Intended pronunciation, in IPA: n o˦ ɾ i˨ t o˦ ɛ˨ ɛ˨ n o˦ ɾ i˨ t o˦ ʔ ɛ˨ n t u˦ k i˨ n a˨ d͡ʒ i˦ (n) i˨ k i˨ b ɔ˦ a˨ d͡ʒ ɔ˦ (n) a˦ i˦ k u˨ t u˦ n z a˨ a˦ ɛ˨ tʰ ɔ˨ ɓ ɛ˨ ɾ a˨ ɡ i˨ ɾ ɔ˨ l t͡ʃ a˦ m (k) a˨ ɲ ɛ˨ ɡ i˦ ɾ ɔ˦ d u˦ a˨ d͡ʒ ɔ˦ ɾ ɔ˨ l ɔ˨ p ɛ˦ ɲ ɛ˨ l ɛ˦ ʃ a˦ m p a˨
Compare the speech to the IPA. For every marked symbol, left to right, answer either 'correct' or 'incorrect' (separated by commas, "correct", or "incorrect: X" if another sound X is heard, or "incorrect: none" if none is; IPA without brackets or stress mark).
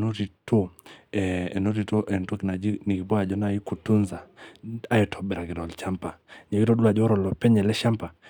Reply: correct, correct, incorrect: p